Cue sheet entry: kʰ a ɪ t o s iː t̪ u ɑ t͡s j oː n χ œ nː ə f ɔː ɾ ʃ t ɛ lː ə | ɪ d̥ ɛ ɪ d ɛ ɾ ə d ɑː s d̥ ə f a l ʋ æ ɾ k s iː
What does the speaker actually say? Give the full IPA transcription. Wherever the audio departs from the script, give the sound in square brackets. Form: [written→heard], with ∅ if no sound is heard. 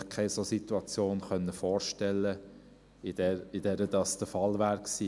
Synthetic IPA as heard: kʰ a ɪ [t→s] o s [iː→i] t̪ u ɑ t͡s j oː n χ œ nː ə f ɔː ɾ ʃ t ɛ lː ə | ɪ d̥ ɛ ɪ d ɛ ɾ ə d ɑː s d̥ ə f [a→ɑ] l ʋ [æ→æː] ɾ k s iː